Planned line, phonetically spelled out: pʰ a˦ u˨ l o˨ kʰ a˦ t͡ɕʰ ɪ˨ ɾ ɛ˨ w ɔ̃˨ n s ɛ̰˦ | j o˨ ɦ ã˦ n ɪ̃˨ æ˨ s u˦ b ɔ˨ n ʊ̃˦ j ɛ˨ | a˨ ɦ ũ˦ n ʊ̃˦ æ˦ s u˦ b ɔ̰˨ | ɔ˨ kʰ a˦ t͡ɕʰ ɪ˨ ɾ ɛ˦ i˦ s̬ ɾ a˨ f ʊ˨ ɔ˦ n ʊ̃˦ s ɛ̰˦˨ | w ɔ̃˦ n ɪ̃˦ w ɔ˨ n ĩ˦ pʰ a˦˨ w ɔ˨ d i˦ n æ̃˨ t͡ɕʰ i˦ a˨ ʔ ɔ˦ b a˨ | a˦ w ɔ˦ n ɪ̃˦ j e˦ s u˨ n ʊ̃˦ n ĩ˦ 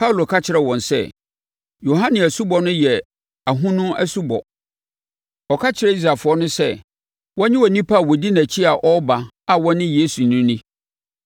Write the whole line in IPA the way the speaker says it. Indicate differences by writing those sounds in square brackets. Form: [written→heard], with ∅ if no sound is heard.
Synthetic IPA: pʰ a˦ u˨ l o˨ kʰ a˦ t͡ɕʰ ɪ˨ ɾ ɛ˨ w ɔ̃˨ n s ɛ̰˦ | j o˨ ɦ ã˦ n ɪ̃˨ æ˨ s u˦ b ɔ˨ n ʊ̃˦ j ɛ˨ | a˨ ɦ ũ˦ n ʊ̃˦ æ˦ s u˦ b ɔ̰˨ | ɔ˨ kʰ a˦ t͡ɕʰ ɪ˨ ɾ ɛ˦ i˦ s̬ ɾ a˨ f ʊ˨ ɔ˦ n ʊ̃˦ s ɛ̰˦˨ | w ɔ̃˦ [n→ɲ] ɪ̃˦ w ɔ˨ n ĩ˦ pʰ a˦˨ w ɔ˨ d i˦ n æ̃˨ t͡ɕʰ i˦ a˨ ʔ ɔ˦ b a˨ | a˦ w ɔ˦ n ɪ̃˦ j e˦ s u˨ n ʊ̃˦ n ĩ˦